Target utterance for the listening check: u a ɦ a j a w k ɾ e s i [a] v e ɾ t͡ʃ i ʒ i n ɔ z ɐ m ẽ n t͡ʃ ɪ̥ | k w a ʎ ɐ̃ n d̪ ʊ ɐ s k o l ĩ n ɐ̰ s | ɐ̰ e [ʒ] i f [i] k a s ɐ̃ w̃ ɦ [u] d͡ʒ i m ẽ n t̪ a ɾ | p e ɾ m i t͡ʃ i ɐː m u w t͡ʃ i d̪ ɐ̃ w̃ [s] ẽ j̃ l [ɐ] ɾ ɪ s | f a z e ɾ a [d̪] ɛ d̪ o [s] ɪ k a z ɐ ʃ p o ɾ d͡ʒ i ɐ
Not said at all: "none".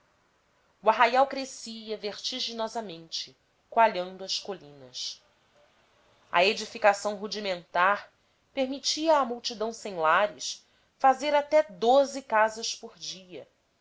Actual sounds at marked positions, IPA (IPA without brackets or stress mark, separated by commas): ɐ, d͡ʒ, i, u, s, a, t̪, z